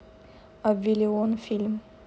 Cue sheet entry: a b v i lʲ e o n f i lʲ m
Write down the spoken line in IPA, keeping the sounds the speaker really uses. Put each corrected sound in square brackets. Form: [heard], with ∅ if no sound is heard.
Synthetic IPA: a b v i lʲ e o n f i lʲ m